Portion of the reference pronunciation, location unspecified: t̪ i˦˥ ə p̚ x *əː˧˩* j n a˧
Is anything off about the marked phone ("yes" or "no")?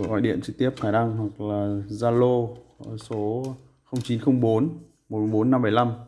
yes